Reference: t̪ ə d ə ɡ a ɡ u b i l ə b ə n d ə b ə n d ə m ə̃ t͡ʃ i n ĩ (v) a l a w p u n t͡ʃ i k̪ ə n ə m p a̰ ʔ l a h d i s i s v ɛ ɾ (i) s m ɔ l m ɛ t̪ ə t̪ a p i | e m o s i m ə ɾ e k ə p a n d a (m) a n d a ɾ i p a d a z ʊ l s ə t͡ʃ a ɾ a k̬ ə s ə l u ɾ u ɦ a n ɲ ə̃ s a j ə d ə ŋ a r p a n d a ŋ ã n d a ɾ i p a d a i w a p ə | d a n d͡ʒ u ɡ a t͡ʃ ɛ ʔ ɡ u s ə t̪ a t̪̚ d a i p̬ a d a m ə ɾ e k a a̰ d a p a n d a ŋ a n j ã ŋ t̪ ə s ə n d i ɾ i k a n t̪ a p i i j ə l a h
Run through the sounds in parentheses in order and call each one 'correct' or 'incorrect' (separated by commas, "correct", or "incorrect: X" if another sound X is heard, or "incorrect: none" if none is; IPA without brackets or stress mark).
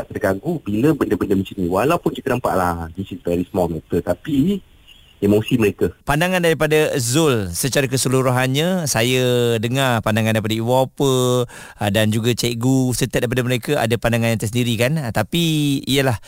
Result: incorrect: w, correct, incorrect: ŋ